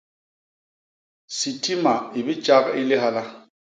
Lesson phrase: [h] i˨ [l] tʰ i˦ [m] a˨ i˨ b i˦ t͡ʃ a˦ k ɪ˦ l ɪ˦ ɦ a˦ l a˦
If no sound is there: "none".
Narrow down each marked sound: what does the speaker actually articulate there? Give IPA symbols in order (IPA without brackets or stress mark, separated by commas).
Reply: s, none, m